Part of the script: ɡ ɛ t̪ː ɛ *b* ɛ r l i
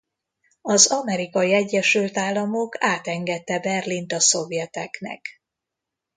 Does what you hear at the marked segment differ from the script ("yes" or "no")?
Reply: no